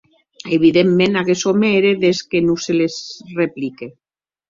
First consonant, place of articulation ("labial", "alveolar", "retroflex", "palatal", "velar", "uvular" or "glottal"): labial